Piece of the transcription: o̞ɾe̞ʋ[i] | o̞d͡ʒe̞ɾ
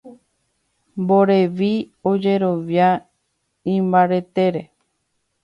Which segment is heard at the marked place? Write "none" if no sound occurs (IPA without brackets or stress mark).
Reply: i